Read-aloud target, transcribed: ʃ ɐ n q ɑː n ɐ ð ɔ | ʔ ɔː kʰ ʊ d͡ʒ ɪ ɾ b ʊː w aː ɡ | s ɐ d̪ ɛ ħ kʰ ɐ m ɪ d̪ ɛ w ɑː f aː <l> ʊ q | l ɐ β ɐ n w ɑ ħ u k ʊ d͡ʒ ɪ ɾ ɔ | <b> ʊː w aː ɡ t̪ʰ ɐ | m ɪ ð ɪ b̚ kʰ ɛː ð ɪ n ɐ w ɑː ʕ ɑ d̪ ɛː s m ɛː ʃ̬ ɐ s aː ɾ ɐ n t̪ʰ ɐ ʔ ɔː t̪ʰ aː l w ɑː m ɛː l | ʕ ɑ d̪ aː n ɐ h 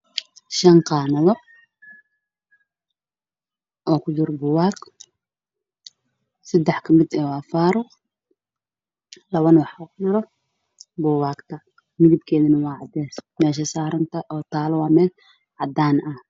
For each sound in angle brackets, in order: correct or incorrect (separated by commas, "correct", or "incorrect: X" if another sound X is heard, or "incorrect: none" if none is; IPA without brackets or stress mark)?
incorrect: ɾ, correct